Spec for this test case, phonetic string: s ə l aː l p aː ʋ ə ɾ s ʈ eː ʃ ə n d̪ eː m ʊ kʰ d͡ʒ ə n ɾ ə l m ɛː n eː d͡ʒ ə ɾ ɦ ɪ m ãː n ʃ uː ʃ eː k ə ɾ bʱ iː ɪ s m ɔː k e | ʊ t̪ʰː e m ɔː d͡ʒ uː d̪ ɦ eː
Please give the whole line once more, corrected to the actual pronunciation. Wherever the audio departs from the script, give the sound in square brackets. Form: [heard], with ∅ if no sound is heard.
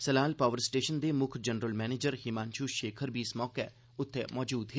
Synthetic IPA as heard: s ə l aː l p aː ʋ ə ɾ s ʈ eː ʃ ə n d̪ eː m ʊ kʰ d͡ʒ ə n ɾ ə l m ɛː n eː d͡ʒ ə ɾ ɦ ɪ m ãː n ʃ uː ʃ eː [kʰ] ə ɾ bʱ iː ɪ s m ɔː k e | ʊ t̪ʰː e m ɔː d͡ʒ uː d̪ ɦ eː

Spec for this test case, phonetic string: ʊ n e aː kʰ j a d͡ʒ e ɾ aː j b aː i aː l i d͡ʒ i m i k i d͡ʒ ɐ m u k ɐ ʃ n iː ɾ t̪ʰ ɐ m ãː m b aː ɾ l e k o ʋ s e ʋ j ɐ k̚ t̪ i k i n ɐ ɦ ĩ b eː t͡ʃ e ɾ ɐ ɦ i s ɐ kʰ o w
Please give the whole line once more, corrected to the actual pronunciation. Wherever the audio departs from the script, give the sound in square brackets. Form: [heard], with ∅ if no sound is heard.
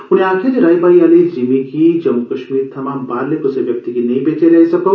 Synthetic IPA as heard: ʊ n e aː kʰ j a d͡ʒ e ɾ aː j b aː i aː l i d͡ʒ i m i k i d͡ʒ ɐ m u k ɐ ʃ [m] iː ɾ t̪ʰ ɐ m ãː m b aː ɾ l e k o [∅] s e ʋ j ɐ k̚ t̪ i k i n ɐ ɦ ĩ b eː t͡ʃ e ɾ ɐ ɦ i s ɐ [k] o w

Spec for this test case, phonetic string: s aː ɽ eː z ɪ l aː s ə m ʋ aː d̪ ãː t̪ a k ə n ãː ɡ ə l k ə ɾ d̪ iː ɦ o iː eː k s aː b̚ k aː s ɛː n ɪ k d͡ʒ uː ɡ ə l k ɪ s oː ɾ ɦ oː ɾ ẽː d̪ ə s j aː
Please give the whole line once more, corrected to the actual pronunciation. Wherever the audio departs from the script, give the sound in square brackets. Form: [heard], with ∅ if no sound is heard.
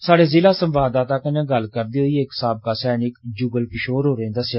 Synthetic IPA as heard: s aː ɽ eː z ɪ l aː s ə m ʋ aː d̪ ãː t̪ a k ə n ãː ɡ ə l k ə ɾ d̪ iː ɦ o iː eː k s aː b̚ k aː s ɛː n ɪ k d͡ʒ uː ɡ ə l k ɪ [ʃ] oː ɾ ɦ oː ɾ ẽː d̪ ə s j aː

